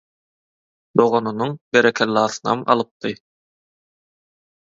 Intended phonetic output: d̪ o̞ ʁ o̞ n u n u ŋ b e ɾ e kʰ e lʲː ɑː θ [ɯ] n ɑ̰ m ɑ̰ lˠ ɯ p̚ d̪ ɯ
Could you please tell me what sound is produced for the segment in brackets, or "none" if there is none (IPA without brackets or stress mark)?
ɯ